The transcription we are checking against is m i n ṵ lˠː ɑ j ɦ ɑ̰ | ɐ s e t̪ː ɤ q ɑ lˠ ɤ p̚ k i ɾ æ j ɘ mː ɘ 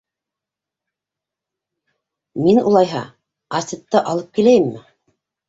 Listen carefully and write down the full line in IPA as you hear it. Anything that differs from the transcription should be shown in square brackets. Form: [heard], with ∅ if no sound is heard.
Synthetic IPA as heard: m i n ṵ [lˠ] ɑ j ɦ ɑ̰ | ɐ s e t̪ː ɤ [ʔ] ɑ lˠ ɤ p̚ k i [l] æ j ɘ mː ɘ